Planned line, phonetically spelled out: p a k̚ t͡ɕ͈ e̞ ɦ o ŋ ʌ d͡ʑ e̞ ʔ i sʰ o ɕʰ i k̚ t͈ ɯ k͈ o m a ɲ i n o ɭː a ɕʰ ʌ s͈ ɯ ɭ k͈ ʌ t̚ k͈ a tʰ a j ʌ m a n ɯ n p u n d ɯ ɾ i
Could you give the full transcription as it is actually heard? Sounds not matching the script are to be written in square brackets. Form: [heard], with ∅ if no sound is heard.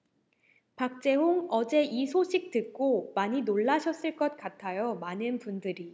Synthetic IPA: p a k̚ t͡ɕ͈ e̞ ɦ o ŋ ʌ d͡ʑ e̞ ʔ i sʰ o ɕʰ i k̚ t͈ ɯ k͈ o m a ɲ i n o ɭː a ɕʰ ʌ s͈ ɯ ɭ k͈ ʌ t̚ k͈ a tʰ a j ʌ m a n ɯ n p u n d ɯ ɾ i